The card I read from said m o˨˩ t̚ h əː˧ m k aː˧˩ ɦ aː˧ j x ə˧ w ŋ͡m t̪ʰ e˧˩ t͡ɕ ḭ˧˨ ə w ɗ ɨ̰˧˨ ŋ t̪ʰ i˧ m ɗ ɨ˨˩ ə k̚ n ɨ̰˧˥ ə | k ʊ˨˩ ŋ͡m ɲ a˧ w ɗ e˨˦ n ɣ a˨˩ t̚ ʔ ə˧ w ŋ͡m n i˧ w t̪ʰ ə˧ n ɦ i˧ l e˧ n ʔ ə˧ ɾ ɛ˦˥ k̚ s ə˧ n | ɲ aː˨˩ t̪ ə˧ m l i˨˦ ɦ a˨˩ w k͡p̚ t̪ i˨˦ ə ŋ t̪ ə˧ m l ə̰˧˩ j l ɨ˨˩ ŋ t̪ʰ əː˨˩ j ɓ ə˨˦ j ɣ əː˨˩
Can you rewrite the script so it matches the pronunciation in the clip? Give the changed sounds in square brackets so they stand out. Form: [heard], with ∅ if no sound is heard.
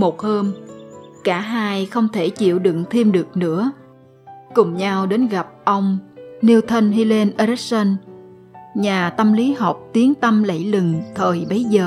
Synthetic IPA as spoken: m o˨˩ t̚ h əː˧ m k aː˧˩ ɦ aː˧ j x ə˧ w ŋ͡m t̪ʰ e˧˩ t͡ɕ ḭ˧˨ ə w ɗ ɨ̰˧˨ ŋ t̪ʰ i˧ m ɗ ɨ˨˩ ə k̚ n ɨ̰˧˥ ə | k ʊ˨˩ ŋ͡m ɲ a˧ w ɗ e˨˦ n ɣ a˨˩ [p̚] ʔ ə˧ w ŋ͡m n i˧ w t̪ʰ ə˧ n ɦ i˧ l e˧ n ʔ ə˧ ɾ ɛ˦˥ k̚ s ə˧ n | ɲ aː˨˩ t̪ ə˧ m l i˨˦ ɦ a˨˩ w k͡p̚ t̪ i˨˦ ə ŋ t̪ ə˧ m l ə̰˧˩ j l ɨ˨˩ ŋ t̪ʰ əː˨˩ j ɓ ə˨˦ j [z] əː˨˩